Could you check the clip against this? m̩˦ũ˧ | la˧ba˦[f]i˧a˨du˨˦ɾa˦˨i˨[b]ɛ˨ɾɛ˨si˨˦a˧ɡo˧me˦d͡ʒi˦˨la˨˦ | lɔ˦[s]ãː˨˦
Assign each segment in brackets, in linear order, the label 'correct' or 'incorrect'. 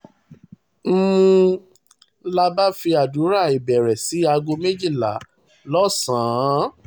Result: correct, correct, correct

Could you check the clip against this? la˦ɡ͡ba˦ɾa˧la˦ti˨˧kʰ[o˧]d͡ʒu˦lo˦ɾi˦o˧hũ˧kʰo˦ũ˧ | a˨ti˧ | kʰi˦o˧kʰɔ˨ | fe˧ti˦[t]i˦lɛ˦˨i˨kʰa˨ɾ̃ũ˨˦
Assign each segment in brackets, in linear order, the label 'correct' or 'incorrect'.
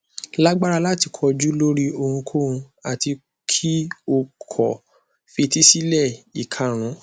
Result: incorrect, incorrect

